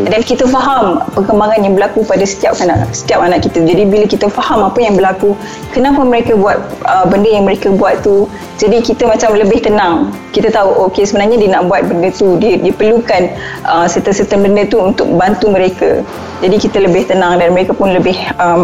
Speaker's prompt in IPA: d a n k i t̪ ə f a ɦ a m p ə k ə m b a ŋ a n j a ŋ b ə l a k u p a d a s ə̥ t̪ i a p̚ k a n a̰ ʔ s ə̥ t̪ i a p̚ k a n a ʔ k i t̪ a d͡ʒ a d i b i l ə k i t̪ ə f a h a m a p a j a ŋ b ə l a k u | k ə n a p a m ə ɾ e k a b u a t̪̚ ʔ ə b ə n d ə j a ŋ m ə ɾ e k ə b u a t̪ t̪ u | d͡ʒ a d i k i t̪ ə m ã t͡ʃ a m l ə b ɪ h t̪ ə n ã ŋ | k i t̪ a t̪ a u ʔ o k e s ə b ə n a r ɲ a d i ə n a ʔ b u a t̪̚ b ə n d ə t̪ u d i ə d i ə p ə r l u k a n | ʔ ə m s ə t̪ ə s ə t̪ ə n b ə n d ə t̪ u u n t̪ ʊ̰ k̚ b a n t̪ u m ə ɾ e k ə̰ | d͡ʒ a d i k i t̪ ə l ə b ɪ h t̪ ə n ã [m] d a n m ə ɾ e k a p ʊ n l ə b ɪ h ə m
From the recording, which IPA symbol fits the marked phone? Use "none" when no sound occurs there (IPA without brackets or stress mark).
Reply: ŋ